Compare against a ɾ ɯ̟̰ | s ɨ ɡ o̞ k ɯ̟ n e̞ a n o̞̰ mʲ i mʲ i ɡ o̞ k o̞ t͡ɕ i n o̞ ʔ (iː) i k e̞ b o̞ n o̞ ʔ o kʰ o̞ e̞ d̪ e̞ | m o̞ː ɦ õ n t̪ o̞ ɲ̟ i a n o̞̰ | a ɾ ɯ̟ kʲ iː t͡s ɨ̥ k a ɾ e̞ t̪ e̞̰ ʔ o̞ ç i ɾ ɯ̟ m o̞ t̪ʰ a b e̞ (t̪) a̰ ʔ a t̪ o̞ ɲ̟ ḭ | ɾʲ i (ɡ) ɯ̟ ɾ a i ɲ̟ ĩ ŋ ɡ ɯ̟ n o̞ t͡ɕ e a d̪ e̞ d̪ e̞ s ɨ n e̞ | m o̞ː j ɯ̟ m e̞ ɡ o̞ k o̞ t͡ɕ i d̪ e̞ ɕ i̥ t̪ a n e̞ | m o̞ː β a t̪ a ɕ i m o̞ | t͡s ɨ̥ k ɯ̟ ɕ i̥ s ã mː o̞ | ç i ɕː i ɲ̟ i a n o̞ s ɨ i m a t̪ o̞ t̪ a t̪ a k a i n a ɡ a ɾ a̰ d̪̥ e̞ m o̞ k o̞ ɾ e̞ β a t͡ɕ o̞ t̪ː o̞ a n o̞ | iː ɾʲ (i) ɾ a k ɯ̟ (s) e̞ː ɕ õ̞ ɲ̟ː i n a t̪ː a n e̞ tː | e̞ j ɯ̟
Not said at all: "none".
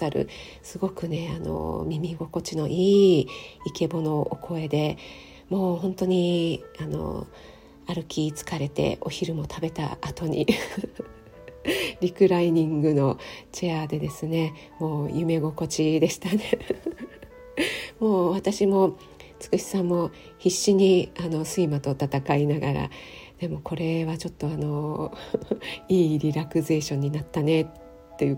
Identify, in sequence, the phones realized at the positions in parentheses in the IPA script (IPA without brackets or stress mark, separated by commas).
iː, t̪, k, i, z